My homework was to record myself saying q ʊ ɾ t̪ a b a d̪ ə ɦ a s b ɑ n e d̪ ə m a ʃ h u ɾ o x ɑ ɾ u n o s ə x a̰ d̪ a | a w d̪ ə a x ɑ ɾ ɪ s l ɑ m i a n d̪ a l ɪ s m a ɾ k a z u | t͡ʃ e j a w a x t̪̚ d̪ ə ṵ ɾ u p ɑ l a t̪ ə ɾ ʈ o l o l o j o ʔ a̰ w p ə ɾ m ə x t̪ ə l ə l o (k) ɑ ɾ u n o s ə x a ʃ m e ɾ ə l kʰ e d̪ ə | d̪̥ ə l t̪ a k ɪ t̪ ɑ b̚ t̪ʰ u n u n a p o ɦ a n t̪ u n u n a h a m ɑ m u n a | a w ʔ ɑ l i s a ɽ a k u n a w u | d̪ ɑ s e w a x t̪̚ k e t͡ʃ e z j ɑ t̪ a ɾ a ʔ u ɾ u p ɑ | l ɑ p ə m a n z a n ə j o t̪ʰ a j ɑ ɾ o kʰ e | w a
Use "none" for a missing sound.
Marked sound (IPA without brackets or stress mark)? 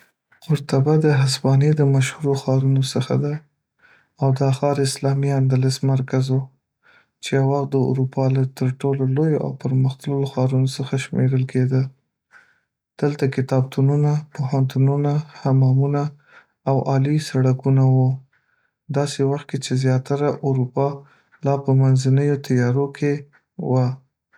x